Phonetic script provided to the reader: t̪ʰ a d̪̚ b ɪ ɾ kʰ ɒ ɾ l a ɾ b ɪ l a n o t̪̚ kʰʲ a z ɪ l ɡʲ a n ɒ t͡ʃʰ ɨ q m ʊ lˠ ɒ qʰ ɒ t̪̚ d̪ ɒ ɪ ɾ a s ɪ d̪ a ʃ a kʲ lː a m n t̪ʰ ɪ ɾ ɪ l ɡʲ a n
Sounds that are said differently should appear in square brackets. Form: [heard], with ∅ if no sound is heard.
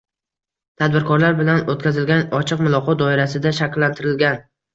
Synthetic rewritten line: t̪ʰ a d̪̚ b ɪ ɾ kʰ ɒ ɾ l a ɾ b ɪ l a n o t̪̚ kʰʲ a z ɪ l ɡʲ a n ɒ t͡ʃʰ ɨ q m ʊ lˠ ɒ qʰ ɒ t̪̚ d̪ ɒ ɪ ɾ a s ɪ d̪ a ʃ a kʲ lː a [∅] n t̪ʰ ɪ ɾ ɪ l ɡʲ a n